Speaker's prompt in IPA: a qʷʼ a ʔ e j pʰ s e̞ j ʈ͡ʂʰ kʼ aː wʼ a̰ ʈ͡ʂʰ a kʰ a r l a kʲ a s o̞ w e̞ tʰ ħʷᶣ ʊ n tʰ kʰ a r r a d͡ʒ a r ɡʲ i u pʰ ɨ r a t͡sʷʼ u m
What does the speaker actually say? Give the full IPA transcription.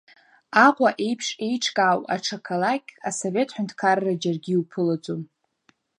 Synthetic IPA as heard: a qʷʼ a ʔ e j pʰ ʂ e̞ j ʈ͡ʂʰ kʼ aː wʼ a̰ ʈ͡ʂʰ a kʰ a l a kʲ a s o̞ v e̞ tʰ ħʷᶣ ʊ n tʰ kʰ a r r a d͡ʒ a r ɡʲ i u pʰ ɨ l a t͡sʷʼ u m